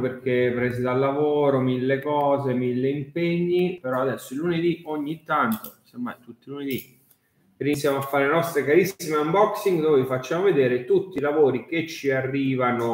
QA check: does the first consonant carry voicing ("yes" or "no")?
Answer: no